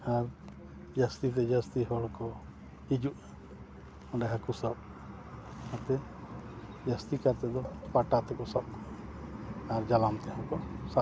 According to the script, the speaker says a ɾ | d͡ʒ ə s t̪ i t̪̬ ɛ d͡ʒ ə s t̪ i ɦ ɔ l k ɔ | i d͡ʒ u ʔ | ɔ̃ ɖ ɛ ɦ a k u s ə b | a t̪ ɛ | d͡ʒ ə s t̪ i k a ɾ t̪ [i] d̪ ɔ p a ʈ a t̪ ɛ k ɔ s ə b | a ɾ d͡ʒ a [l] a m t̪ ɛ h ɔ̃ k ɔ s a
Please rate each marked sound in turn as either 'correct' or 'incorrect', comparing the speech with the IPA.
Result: incorrect: ɛ, correct

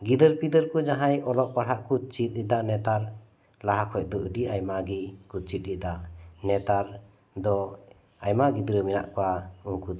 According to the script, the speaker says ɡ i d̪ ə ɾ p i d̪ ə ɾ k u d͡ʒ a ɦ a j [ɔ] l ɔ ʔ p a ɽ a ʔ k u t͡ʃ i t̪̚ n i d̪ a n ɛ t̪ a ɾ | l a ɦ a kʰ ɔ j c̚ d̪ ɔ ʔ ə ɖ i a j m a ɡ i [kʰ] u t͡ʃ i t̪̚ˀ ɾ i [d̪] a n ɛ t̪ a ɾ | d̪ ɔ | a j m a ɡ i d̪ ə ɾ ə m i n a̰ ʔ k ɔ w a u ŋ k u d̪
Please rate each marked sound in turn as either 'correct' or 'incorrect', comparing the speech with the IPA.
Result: correct, incorrect: k, correct

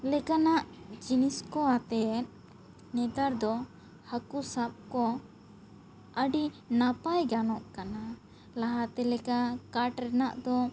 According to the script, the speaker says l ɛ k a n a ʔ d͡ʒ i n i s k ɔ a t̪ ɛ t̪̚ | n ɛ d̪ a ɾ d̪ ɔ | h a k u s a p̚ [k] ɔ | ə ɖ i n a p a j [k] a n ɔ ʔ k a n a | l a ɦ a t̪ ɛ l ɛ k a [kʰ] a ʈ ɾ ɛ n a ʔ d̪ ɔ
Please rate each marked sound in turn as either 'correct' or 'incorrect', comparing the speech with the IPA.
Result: correct, incorrect: ɡ, incorrect: k

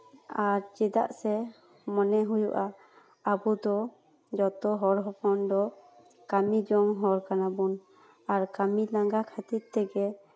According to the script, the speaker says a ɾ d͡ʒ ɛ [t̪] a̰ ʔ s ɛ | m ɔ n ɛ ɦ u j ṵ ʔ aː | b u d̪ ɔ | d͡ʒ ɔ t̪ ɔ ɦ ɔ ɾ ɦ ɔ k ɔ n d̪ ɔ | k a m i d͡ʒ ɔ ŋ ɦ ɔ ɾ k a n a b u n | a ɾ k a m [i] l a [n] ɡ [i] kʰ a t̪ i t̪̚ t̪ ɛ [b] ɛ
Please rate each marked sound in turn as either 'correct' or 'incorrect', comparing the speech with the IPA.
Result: incorrect: d̪, correct, incorrect: ŋ, incorrect: a, incorrect: ɡ

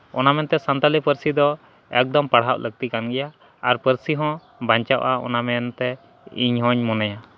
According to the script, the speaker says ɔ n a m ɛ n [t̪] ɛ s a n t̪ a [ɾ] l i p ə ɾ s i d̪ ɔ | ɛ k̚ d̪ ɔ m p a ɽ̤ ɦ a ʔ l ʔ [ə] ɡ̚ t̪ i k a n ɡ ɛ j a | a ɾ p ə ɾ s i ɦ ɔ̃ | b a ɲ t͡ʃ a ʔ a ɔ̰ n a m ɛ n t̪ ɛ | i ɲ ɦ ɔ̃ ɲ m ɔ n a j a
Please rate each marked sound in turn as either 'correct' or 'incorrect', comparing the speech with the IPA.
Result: correct, incorrect: none, correct

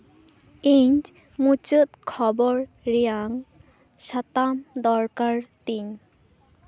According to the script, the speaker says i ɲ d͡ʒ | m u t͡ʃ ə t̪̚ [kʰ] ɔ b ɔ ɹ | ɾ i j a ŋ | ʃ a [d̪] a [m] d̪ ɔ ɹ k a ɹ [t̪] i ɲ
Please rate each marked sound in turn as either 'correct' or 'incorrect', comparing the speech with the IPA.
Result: correct, incorrect: t̪, correct, correct

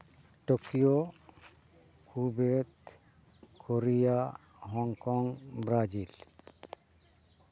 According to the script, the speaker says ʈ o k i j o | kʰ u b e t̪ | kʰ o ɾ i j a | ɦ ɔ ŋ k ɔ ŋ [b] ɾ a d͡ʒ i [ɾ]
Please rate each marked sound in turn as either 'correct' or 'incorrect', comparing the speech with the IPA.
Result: correct, incorrect: l

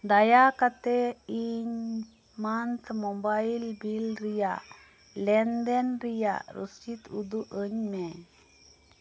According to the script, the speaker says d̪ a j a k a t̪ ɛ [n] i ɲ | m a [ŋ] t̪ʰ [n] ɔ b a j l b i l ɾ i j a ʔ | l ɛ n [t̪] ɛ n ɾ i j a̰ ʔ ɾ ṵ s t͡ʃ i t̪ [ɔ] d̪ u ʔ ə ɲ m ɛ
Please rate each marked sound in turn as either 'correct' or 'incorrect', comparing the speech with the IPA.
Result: incorrect: none, incorrect: n, incorrect: m, incorrect: d̪, incorrect: u

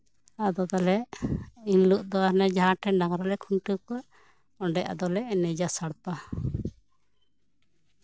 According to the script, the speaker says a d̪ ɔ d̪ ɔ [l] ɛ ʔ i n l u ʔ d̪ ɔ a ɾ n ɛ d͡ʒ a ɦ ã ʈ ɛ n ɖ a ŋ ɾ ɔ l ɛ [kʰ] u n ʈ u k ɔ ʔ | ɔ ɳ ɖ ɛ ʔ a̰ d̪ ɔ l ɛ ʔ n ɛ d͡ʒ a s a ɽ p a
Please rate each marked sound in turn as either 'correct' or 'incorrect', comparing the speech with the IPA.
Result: correct, correct

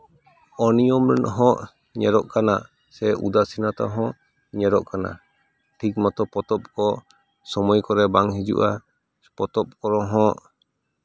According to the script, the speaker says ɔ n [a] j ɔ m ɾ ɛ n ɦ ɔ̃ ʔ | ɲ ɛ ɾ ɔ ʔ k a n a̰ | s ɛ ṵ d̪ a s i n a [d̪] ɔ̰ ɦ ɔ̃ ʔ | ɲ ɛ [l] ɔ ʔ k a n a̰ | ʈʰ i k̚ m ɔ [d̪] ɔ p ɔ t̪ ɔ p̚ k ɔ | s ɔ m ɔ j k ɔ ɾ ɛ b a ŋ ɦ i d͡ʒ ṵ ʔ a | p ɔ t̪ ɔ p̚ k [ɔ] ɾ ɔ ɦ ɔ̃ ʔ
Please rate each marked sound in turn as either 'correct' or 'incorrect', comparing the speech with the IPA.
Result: incorrect: i, incorrect: t̪, incorrect: ɾ, incorrect: t̪, correct

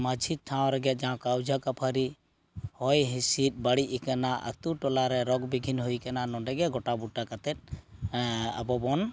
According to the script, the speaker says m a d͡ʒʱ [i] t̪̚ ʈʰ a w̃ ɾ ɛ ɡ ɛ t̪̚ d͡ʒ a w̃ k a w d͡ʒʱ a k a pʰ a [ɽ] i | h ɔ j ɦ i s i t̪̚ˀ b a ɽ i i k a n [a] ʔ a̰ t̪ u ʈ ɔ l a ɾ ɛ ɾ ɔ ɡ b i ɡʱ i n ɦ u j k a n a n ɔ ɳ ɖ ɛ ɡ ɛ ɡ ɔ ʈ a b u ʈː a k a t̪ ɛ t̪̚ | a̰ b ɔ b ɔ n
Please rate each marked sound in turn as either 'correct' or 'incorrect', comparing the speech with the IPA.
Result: correct, incorrect: ɾ, correct

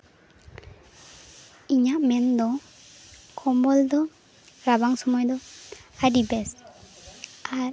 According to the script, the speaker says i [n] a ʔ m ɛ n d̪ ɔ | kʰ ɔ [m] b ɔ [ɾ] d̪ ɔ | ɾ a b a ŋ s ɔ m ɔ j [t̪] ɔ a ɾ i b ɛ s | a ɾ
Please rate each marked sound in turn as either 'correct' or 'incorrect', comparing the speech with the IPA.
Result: incorrect: ɲ, correct, incorrect: l, incorrect: d̪

